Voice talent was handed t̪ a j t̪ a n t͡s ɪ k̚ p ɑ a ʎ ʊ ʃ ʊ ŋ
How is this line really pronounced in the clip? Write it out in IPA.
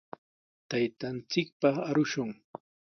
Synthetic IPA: t̪ a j t̪ a n t͡s ɪ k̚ p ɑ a ɾ ʊ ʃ ʊ ŋ